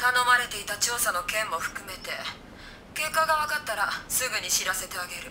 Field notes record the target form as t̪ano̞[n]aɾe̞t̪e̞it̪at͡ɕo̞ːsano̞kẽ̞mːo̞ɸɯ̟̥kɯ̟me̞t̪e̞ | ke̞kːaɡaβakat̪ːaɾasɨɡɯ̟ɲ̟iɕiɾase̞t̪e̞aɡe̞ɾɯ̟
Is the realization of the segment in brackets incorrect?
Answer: yes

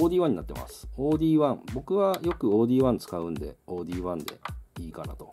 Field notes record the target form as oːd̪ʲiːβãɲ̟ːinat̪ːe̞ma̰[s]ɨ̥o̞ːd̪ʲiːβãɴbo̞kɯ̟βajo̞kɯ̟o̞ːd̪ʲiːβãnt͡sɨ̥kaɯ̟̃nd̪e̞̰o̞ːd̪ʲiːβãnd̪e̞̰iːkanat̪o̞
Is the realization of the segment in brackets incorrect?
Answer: no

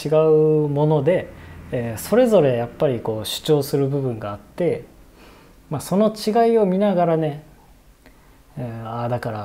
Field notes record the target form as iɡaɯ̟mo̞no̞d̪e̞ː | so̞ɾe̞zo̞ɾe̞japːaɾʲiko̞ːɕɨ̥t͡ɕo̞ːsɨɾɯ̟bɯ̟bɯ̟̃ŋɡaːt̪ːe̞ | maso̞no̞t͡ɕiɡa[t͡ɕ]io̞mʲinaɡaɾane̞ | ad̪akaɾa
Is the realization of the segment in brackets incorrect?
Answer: yes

